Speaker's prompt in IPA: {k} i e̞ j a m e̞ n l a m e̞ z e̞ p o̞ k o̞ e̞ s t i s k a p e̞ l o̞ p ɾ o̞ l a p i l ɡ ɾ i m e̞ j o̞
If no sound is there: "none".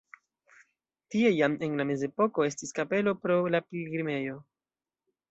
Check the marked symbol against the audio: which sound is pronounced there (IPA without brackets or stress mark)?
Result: t